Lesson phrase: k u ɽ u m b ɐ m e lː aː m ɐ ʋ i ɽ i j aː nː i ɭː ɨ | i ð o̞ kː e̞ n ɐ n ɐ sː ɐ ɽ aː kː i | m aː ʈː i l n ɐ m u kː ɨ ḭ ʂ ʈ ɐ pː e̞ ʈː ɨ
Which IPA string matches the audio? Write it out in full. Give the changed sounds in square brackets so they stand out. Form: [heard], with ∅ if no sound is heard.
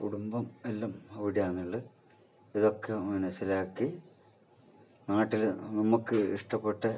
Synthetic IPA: k u ɽ u m b ɐ m e lː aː m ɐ ʋ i ɽ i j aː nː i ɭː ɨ | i ð o̞ kː e̞ [m] ɐ n ɐ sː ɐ [l] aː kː i | [n] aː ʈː i l n ɐ m u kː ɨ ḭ ʂ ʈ ɐ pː e̞ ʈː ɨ